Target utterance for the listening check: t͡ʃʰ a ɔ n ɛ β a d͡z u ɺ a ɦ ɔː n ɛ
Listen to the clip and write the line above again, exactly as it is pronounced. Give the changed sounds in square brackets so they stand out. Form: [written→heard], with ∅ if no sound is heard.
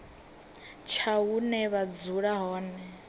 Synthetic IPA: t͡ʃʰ a [ɔ→u] n ɛ β a d͡z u ɺ a ɦ ɔː n ɛ